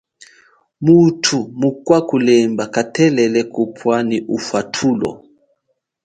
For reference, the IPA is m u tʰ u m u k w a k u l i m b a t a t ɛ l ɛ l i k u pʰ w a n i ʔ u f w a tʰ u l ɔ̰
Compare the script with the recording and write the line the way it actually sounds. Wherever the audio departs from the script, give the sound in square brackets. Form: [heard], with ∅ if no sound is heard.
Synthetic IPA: m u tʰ u m u k w a k u l [ɛ] m b a [k] a t ɛ l ɛ l [ɛ] k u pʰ w a n i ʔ u f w a tʰ u l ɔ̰